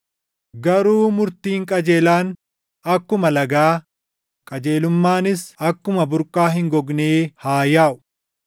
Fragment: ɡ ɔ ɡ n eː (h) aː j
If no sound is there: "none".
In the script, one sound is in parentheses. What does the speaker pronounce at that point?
h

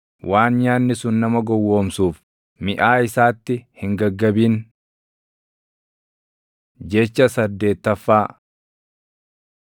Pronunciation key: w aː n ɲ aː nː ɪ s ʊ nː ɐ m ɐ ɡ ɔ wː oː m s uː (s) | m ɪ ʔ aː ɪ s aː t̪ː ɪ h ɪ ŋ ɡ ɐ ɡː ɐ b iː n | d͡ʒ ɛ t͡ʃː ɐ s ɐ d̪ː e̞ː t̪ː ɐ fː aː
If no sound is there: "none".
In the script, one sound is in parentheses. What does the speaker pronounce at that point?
f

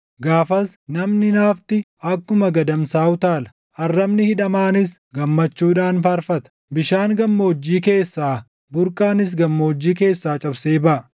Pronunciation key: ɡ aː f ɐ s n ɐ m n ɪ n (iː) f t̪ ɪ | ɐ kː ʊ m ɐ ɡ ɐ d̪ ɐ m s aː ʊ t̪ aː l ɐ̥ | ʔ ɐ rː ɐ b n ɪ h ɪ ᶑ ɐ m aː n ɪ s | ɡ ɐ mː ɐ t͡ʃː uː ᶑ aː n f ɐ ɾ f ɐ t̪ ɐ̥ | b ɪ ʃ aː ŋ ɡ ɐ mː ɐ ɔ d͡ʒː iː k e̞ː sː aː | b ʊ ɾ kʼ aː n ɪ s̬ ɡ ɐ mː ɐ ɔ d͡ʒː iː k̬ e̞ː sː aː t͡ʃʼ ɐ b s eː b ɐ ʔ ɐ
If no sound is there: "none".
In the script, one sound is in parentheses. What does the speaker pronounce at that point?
aː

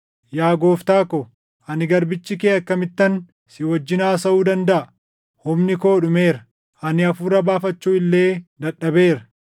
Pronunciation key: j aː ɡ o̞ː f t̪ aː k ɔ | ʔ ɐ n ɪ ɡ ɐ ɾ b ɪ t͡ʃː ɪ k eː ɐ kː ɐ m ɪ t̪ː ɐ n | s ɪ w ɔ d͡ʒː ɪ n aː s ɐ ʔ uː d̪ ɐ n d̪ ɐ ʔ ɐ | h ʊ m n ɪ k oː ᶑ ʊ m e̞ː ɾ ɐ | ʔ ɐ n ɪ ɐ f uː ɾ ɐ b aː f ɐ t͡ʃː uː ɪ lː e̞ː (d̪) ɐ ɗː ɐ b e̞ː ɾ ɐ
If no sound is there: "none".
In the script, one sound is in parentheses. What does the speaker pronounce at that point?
d̪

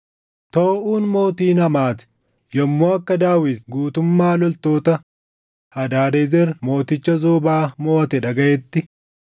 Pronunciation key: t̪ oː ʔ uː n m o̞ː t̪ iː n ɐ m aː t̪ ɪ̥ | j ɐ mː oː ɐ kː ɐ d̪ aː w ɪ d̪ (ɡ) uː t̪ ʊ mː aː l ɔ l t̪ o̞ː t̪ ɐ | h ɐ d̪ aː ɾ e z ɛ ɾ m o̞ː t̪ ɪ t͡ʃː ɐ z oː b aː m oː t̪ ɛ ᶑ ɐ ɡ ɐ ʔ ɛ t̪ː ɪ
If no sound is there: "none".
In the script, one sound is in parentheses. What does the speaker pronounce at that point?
ɡ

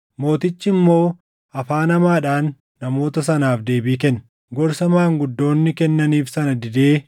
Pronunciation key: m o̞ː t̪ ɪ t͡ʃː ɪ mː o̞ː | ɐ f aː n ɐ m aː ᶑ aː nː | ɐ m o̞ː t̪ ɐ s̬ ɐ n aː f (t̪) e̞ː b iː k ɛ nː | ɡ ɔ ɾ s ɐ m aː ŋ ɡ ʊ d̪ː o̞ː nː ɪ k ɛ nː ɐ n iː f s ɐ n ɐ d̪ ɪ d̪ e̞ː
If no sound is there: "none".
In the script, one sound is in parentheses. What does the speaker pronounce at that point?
d̪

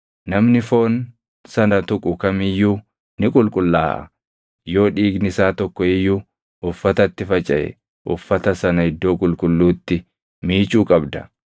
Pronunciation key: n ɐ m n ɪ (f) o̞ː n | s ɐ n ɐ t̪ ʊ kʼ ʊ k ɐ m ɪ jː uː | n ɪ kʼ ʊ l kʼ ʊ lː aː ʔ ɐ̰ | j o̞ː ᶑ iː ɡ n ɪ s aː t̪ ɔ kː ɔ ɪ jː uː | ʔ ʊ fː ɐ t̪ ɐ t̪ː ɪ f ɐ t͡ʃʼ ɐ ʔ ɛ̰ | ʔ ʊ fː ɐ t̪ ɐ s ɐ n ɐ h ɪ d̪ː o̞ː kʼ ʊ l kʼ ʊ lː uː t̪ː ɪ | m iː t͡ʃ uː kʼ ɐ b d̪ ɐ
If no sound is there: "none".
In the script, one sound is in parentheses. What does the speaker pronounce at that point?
f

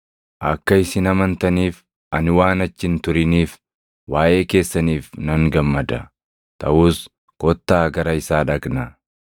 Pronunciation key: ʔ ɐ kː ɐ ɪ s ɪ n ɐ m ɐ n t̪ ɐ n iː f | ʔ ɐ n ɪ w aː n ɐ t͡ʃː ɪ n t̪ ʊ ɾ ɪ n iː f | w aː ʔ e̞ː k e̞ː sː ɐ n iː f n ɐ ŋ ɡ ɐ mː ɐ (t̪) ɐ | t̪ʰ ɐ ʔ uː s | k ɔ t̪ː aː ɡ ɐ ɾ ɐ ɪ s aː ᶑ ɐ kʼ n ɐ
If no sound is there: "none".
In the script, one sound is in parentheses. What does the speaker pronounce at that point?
d̪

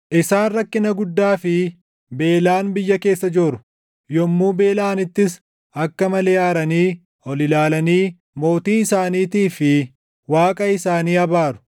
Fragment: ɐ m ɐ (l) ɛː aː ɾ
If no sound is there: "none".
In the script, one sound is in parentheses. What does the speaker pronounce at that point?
l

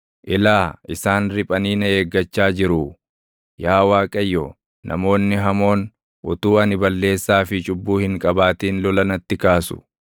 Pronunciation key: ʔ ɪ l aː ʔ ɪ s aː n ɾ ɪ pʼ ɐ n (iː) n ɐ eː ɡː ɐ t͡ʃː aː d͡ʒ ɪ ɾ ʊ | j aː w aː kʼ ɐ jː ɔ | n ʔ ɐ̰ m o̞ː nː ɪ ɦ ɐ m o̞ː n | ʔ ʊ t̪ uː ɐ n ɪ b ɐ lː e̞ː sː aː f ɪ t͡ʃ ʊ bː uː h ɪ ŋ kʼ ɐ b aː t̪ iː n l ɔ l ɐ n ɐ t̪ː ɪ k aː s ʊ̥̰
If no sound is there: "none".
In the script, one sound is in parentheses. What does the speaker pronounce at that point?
iː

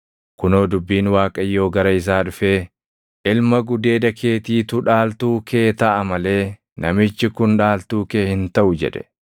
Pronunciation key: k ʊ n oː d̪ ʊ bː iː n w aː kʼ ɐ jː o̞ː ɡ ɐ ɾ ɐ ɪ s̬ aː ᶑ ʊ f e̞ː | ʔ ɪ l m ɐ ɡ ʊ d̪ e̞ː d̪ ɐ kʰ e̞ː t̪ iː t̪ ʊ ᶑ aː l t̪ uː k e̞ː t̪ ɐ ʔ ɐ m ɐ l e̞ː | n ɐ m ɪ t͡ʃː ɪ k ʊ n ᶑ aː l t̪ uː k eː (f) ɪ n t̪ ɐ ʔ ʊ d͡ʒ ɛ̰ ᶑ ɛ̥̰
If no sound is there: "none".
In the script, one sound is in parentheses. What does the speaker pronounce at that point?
h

